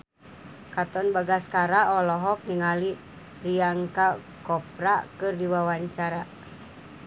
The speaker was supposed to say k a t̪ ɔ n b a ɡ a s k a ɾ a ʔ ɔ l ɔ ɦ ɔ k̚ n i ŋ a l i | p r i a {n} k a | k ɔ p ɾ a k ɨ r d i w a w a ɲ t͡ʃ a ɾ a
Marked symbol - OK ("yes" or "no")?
no